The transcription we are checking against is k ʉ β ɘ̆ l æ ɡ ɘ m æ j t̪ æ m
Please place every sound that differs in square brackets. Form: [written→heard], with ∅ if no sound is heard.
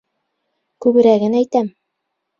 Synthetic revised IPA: k ʉ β ɘ̆ [l→ɾ] æ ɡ ɘ [m→n] æ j t̪ æ m